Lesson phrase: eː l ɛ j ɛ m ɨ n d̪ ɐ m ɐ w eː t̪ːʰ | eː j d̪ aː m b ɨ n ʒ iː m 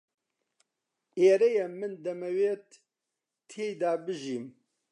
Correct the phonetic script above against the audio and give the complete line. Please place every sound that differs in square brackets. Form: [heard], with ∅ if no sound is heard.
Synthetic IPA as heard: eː [ɾ] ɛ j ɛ m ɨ n d̪ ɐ m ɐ w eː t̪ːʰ | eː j d̪ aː [∅] b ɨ [∅] ʒ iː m